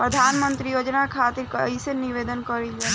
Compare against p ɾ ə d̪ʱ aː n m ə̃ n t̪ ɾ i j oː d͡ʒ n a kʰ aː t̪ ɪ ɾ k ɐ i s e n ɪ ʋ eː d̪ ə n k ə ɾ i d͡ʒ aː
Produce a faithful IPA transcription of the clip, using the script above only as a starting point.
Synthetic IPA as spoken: p ɾ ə d̪ʱ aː n m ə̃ n t̪ ɾ i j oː d͡ʒ n a kʰ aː t̪ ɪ ɾ k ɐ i s e n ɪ ʋ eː d̪ ə n k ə ɾ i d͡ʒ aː